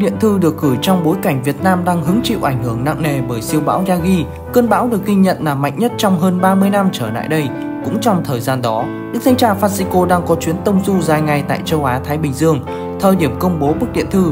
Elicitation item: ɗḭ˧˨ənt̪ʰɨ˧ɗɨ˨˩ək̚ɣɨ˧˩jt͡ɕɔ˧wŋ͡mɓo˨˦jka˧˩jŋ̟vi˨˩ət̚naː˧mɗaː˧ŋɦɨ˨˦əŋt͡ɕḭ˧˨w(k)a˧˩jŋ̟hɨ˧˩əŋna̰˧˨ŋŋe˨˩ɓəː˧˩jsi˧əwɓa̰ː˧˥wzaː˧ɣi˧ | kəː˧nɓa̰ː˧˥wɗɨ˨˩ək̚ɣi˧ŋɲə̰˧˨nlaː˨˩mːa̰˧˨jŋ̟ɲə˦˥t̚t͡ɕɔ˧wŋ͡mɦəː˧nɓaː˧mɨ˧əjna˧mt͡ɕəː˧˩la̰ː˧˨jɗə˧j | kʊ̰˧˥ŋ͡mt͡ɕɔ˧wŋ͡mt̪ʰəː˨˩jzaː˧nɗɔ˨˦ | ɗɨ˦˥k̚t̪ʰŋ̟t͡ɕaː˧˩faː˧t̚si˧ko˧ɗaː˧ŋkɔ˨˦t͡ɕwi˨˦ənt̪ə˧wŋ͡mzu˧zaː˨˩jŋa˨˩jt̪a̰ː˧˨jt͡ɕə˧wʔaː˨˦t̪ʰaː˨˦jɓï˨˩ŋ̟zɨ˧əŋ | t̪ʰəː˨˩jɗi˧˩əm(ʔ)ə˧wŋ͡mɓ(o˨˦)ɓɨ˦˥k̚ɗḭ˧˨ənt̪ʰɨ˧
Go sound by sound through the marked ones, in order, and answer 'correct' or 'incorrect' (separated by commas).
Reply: incorrect, incorrect, correct